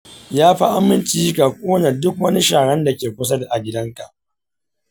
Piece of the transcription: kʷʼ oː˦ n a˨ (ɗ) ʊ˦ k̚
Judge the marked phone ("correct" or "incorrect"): incorrect